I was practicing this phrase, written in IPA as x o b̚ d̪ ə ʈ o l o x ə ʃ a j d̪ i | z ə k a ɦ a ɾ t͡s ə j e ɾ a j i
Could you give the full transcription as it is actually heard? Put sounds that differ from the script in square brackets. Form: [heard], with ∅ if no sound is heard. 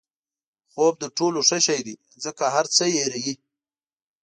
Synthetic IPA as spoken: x o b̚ d̪ ə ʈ o l o [ʂ] ə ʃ a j d̪ i | z ə k a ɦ a ɾ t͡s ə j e ɾ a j i

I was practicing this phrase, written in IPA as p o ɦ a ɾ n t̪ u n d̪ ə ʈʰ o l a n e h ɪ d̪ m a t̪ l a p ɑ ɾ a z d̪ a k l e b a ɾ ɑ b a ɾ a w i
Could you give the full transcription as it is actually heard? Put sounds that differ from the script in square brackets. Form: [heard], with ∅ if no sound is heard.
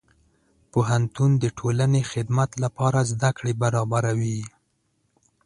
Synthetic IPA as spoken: p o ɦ a [∅] n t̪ u n d̪ ə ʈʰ o l a n e [x] ɪ d̪ m a t̪ l a p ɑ ɾ a z d̪ a k [ɽ] e b a ɾ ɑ b a ɾ a w i

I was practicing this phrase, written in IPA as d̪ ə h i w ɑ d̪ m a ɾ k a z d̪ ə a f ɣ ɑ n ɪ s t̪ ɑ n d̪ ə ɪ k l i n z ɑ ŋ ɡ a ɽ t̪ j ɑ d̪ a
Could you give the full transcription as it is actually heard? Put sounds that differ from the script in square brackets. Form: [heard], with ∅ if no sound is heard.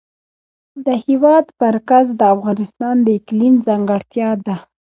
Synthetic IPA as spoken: d̪ ə h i w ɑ d̪ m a ɾ k a z d̪ ə a f ɣ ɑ n ɪ s t̪ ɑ n d̪ ə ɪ k l i n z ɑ ŋ ɡ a ɽ t̪ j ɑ d̪ a

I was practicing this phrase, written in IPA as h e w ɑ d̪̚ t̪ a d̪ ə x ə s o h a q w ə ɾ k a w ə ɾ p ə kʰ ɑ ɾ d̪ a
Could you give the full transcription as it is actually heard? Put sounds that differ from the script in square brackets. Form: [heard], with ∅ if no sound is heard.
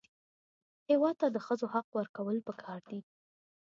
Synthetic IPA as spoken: h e w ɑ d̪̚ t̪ a d̪ ə x ə [z] o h a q w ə ɾ k a w ə [l] p ə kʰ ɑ ɾ d̪ [i]

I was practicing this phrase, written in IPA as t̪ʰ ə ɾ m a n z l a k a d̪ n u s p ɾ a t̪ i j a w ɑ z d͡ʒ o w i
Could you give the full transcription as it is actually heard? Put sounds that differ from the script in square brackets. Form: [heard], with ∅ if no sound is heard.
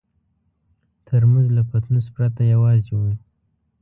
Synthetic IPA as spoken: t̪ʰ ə ɾ m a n z l a [p] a [t̪] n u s p ɾ a t̪ [a] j a w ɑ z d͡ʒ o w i

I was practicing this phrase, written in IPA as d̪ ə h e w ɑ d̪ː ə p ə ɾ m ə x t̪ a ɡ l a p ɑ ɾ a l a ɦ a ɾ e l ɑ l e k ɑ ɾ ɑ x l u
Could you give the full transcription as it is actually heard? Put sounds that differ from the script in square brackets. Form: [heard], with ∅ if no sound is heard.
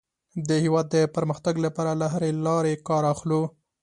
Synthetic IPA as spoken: d̪ ə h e w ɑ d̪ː ə p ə ɾ m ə x t̪ a ɡ l a p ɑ ɾ a l a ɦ a ɾ e l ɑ [ɾ] e k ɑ ɾ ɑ x l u

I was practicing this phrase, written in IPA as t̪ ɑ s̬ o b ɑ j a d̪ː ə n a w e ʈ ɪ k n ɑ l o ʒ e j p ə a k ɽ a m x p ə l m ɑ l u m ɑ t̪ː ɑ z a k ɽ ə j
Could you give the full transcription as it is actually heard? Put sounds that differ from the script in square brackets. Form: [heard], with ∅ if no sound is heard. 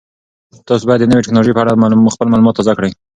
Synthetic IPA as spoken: t̪ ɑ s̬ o b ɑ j a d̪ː ə n [ə] w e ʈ ɪ k n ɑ l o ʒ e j p ə a [∅] ɽ a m x p ə l m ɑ l u m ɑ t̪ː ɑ z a k ɽ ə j

